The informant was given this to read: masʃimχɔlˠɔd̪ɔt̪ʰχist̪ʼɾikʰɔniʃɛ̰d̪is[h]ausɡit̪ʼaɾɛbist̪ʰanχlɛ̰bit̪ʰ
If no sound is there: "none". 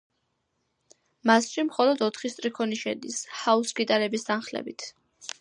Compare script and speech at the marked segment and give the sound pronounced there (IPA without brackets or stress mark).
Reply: h